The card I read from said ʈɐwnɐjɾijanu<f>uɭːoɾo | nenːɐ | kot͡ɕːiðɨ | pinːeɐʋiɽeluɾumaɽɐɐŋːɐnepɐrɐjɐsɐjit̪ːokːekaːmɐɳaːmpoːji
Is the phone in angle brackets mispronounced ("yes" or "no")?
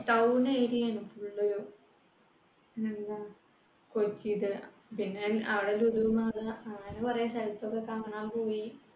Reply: no